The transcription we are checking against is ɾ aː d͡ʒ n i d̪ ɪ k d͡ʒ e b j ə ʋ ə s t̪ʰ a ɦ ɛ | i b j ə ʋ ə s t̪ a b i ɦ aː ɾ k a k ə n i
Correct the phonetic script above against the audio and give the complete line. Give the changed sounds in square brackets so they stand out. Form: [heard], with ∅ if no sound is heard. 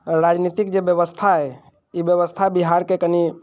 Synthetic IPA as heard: ɾ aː d͡ʒ n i [t̪] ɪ k d͡ʒ e b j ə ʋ ə s t̪ʰ a ɦ ɛ | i b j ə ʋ ə s [t̪ʰ] a b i ɦ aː ɾ k [e] k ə n i